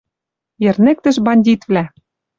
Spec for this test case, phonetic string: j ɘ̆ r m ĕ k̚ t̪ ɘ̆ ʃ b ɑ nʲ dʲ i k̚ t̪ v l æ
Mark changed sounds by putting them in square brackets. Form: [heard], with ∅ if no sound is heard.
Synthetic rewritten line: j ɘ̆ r [n] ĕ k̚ t̪ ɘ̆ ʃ b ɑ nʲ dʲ i [∅] t̪ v l æ